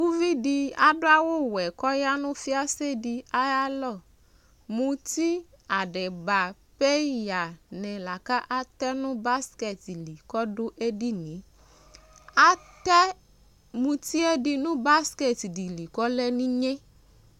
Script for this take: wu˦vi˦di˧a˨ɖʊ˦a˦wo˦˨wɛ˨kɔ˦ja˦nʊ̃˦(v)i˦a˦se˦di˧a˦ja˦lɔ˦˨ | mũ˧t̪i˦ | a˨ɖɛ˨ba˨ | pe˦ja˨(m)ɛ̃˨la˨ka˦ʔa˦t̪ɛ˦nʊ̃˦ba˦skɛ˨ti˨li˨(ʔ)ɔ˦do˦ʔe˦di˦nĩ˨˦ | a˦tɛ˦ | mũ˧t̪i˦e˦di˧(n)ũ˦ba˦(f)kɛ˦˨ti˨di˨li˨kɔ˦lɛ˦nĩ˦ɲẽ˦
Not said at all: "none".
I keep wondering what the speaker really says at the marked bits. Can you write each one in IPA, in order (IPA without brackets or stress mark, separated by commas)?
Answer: f, n, k, n, s